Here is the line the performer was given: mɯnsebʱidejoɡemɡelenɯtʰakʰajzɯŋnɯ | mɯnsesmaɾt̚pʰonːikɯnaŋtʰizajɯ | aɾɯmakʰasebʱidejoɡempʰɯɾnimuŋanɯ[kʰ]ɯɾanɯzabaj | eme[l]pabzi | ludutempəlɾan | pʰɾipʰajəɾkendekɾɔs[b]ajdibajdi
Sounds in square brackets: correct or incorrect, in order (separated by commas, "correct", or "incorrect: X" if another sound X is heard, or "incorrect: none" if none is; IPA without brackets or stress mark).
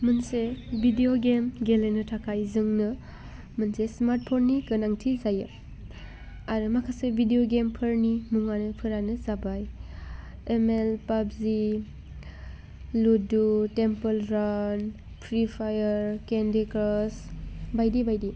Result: incorrect: pʰ, correct, correct